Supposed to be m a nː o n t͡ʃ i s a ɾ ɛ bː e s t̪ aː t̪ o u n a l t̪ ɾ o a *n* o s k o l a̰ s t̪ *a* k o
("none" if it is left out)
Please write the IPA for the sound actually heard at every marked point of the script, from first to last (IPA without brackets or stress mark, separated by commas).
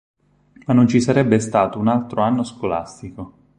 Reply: nː, i